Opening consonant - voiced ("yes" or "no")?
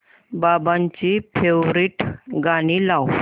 yes